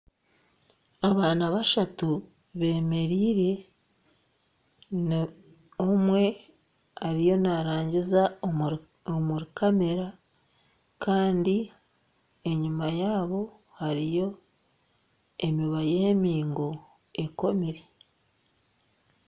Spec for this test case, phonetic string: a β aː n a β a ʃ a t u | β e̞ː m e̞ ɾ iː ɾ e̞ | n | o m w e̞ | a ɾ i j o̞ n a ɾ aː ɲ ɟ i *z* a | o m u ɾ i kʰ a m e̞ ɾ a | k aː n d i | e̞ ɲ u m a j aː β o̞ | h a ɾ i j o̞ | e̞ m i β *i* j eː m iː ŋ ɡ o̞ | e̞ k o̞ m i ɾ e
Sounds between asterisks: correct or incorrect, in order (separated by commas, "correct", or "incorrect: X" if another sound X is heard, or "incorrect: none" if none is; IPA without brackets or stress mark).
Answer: correct, incorrect: a